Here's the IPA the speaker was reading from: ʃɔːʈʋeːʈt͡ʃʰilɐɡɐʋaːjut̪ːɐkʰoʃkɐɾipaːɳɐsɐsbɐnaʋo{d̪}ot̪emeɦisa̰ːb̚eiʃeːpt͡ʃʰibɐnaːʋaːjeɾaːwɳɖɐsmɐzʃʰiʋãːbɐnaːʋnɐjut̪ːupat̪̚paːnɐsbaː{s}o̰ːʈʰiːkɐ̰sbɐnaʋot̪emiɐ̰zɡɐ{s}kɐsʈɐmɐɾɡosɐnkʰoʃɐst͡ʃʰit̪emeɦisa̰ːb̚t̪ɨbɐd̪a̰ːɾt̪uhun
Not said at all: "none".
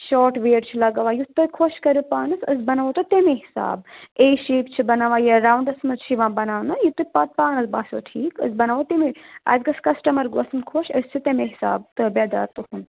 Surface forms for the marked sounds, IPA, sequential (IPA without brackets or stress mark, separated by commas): t̪, s, s